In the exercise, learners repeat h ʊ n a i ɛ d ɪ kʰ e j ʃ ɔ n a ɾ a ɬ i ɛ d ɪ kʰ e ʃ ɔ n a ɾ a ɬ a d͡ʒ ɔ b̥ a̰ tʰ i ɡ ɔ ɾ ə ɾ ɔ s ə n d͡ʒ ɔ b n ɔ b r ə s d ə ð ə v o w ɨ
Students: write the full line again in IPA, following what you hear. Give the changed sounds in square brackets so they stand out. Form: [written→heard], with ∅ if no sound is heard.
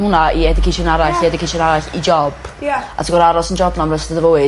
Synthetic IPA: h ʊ n a i ɛ d ɪ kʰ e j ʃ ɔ n a ɾ a ɬ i ɛ d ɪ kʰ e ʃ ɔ n a ɾ a ɬ [a→i] d͡ʒ ɔ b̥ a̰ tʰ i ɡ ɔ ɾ [ə→a] ɾ ɔ s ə n d͡ʒ ɔ b n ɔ [b→m] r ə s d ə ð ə v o w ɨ